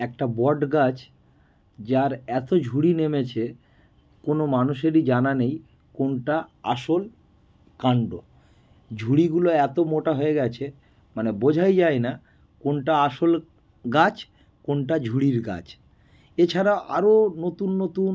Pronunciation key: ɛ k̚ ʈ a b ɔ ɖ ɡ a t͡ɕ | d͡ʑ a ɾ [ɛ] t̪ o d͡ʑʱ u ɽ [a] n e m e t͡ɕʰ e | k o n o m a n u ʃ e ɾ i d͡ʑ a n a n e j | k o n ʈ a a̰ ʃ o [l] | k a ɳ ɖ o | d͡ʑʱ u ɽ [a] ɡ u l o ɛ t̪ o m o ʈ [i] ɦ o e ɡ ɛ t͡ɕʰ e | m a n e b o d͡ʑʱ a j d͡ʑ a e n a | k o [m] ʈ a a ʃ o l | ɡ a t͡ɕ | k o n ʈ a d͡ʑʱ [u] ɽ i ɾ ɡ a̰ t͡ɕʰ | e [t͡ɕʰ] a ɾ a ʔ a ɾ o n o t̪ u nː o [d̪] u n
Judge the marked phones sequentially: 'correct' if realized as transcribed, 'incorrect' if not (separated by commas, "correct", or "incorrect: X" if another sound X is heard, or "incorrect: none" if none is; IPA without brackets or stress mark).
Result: correct, incorrect: i, correct, incorrect: i, incorrect: a, incorrect: n, correct, correct, incorrect: t̪